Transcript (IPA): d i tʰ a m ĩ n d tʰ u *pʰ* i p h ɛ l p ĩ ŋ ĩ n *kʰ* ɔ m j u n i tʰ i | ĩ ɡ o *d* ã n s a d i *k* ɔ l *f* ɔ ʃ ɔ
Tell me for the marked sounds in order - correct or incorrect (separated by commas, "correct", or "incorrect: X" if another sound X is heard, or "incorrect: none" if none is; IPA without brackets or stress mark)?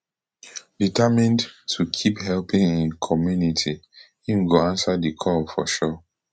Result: incorrect: kʰ, correct, incorrect: none, incorrect: kʰ, correct